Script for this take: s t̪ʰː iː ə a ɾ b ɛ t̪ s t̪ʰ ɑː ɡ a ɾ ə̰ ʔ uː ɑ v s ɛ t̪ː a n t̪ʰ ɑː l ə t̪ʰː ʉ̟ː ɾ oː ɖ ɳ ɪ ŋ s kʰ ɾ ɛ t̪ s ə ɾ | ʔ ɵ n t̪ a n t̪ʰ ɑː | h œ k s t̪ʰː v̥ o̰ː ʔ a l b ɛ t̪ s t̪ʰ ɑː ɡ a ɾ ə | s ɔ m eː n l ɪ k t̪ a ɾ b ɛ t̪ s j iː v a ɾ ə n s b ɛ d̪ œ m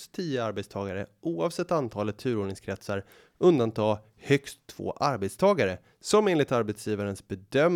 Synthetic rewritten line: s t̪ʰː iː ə a ɾ b ɛ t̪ s t̪ʰ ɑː ɡ a ɾ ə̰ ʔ uː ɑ v s ɛ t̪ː a n t̪ʰ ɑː l ə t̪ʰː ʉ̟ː ɾ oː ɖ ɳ ɪ ŋ s kʰ ɾ ɛ t̪ s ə ɾ | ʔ ɵ n d̪ a n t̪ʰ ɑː | h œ k s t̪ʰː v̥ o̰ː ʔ a ɾ b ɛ t̪ s t̪ʰ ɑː ɡ a ɾ ə | s ɔ m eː n l ɪ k t̪ a ɾ b ɛ t̪ s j iː v a ɾ ə n s b ɛ d̪ œ m